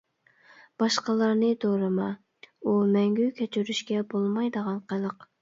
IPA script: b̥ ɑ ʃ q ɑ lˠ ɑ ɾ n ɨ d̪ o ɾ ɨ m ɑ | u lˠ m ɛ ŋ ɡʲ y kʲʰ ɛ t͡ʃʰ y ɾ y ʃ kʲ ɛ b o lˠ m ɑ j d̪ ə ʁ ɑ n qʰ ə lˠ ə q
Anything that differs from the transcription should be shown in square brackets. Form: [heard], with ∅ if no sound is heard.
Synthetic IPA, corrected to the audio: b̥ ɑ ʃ q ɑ lˠ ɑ ɾ n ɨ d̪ o ɾ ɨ m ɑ | u [∅] m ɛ ŋ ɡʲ y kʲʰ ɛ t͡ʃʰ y ɾ y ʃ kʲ ɛ b o lˠ m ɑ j d̪ ə ʁ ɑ n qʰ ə lˠ ə q